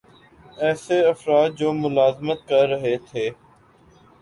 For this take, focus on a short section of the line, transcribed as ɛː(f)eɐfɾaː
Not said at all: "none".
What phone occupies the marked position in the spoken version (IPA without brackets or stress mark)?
s